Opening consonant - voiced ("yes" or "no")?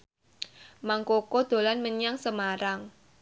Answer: yes